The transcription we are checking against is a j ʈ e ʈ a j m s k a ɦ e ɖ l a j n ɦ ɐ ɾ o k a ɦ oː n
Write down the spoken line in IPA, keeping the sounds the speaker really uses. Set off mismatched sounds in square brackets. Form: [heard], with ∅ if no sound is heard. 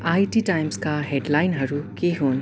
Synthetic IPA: a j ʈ [i] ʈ a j m s k a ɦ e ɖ l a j n ɦ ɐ ɾ [u] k [e] ɦ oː n

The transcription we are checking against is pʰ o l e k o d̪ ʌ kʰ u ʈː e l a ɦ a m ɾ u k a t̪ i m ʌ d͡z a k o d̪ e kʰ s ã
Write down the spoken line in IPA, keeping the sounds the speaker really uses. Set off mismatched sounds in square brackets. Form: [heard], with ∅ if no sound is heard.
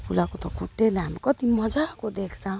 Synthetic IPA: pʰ [u] l [a] k o [t̪] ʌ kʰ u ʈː e l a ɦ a m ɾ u k [ʌ] t̪ i m ʌ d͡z a k o d̪ e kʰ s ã

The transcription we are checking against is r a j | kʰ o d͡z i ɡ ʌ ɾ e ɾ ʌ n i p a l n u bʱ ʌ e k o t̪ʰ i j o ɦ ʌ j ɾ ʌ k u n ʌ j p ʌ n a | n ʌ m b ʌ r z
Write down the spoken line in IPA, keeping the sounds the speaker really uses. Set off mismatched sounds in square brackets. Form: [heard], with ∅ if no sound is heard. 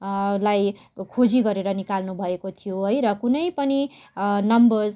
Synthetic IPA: [l] a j | kʰ o d͡z i ɡ ʌ ɾ e ɾ ʌ n i [k] a l n u bʱ ʌ e k o t̪ʰ i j o ɦ ʌ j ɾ ʌ k u n ʌ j p ʌ n [i] | n ʌ m b ʌ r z

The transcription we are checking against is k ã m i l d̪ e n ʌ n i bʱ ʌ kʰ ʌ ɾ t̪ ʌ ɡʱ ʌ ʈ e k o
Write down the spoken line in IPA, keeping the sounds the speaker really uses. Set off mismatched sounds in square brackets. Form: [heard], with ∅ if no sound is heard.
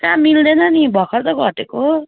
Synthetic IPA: k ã m i l d̪ e n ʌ n i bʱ ʌ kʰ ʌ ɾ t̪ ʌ ɡʱ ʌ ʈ e k o

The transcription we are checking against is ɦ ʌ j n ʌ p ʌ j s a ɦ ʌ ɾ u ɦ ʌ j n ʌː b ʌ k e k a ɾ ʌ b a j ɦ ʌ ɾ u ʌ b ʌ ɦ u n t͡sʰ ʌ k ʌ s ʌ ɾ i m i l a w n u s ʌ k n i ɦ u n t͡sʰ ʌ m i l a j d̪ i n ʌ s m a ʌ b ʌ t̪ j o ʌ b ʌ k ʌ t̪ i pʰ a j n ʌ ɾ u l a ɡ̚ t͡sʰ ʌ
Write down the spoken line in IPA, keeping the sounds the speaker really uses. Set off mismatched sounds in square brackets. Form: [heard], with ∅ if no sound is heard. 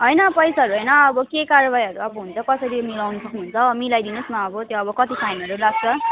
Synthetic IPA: ɦ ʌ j n ʌ p ʌ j s a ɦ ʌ ɾ u ɦ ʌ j n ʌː b ʌ k e k a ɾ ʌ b a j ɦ ʌ ɾ u ʌ b ʌ ɦ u n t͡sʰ ʌ k ʌ s ʌ ɾ i m i l a w n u s ʌ k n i ɦ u n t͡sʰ ʌ m i l a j d̪ i n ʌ s m a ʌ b ʌ t̪ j o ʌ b ʌ k ʌ t̪ i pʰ a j n ʌ ɾ u l a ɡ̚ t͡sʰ ʌ

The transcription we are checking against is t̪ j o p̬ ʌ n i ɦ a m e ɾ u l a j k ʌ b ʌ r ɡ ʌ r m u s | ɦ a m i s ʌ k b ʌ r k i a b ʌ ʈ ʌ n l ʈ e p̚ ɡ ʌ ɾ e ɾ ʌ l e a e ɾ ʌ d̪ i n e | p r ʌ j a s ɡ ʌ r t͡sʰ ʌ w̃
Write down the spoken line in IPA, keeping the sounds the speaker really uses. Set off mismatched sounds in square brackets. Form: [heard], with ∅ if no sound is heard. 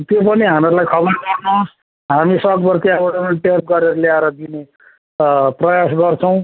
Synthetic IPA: t̪ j o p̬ ʌ n i ɦ a m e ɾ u l a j [kʰ] ʌ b ʌ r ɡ ʌ r [n] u s | ɦ a m i s ʌ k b ʌ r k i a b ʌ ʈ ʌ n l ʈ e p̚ ɡ ʌ ɾ e ɾ ʌ l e a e ɾ ʌ d̪ i n e | p r ʌ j a s ɡ ʌ r t͡sʰ ʌ w̃

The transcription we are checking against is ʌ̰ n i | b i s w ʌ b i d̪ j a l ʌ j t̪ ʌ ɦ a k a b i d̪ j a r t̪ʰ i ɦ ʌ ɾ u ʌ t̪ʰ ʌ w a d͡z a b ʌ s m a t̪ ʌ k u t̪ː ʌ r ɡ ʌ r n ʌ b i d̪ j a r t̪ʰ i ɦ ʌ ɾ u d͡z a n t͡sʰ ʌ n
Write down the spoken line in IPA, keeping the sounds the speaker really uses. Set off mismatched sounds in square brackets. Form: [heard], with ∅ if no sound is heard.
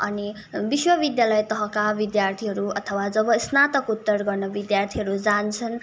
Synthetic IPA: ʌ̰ n i | b i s w ʌ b i d̪ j a l ʌ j t̪ ʌ ɦ [ʌ] k a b i d̪ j a r t̪ʰ i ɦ ʌ ɾ u ʌ t̪ʰ ʌ w a d͡z [ʌ] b ʌ s [n] a t̪ ʌ k u t̪ː ʌ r ɡ ʌ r n ʌ b i d̪ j a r t̪ʰ i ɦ ʌ ɾ u d͡z a n t͡sʰ ʌ n

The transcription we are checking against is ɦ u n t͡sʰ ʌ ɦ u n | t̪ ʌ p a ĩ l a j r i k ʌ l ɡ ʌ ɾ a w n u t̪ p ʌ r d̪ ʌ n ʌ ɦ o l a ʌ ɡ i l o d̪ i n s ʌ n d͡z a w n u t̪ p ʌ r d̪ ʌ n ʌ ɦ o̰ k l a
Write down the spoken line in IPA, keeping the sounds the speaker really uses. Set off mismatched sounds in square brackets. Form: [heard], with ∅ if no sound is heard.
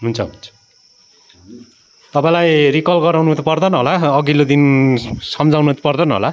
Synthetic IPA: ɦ u n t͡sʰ ʌ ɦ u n | t̪ ʌ p a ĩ l a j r i k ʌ l ɡ ʌ ɾ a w n u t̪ p ʌ r d̪ ʌ n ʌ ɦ o l a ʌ ɡ i l o d̪ i n s ʌ [m] d͡z a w n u t̪ p ʌ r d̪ ʌ n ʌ ɦ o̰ [∅] l a

